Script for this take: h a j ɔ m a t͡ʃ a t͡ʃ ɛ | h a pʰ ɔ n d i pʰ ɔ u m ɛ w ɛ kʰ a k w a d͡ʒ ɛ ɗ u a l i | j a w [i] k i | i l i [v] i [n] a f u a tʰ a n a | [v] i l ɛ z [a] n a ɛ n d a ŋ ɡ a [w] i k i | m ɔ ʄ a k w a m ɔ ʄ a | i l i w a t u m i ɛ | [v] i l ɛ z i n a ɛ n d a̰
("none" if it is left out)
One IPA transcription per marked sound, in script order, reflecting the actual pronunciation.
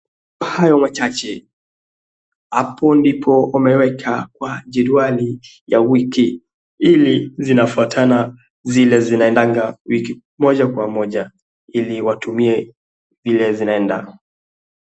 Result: i, z, n, z, i, w, v

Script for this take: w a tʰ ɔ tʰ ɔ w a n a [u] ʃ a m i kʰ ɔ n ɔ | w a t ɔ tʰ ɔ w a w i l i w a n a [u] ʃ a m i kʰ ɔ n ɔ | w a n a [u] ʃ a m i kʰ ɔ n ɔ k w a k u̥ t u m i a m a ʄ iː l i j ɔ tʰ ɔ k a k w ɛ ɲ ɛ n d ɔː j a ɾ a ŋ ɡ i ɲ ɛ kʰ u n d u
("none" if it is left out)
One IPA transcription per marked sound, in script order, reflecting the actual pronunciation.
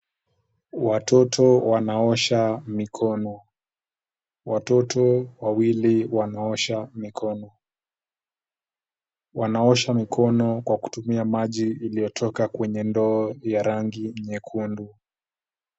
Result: ɔ, ɔ, ɔ

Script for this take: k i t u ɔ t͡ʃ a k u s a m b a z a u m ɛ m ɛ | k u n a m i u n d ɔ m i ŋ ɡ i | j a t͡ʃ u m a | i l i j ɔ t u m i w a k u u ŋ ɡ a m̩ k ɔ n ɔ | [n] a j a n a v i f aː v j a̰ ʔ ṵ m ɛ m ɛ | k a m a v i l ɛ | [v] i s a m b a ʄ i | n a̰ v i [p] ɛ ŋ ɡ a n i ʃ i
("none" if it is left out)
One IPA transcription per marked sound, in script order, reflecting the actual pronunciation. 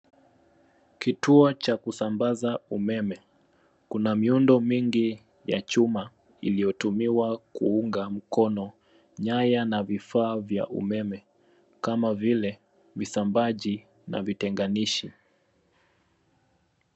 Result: ɲ, v, t

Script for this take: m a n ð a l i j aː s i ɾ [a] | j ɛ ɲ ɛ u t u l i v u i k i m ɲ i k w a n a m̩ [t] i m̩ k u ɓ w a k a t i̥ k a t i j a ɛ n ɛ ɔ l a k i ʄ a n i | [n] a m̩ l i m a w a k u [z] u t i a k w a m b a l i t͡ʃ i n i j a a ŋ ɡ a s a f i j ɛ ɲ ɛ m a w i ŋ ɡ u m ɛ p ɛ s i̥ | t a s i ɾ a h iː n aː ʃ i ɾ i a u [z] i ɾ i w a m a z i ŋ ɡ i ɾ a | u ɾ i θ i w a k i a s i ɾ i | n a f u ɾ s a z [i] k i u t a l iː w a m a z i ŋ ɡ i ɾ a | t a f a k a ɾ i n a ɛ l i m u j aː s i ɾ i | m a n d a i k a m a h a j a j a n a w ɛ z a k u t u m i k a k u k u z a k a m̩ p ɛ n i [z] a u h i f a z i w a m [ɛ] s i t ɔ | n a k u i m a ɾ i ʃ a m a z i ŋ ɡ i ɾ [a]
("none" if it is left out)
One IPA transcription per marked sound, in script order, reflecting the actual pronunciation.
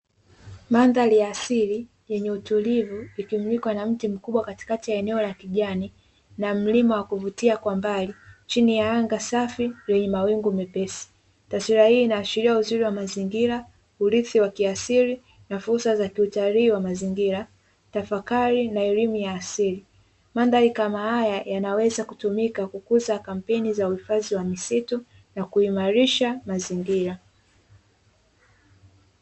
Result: i, t, n, v, z, a, z, i, a

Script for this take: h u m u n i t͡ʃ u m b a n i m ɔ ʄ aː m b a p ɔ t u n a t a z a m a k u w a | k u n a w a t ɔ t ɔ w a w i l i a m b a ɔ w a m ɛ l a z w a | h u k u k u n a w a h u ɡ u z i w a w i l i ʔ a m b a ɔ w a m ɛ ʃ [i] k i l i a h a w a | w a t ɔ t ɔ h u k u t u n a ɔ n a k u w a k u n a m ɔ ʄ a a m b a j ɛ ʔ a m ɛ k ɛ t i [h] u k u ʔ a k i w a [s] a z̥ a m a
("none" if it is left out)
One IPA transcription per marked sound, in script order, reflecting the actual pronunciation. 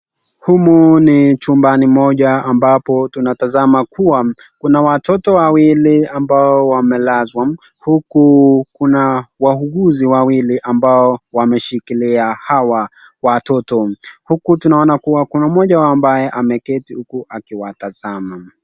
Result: i, h, t

